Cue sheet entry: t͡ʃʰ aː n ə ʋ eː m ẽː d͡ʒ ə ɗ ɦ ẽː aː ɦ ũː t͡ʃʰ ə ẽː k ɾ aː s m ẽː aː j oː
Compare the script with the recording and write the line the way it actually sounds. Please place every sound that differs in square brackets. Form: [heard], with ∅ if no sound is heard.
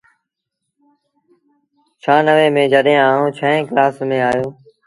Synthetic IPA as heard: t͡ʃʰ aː n ə ʋ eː m ẽː d͡ʒ ə ɗ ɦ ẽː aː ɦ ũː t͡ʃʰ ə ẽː k [l] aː s m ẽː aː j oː